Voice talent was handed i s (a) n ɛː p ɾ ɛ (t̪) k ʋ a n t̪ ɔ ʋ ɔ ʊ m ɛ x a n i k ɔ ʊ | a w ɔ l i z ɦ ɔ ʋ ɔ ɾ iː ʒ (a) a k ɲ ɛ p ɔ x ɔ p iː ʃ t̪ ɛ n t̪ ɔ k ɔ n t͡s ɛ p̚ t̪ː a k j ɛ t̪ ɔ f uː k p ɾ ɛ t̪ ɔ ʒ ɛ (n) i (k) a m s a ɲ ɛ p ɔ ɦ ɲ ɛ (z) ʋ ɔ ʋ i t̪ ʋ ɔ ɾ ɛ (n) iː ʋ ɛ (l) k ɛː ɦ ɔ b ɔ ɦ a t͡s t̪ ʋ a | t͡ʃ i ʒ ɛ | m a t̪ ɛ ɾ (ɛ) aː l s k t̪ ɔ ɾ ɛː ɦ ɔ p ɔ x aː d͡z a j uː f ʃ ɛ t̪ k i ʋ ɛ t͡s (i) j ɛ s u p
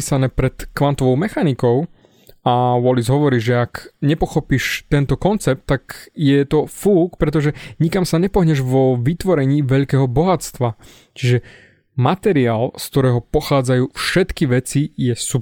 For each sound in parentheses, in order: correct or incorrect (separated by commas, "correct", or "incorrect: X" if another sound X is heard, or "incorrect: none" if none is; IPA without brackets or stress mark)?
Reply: correct, correct, incorrect: ɛ, incorrect: ɲ, correct, incorrect: ʒ, incorrect: ɲ, incorrect: ʎ, incorrect: i, correct